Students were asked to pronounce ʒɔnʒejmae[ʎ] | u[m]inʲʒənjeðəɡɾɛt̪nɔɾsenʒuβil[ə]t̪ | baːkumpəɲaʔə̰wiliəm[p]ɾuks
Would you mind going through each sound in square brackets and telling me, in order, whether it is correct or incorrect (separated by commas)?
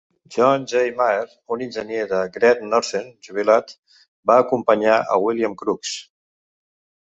incorrect, incorrect, incorrect, incorrect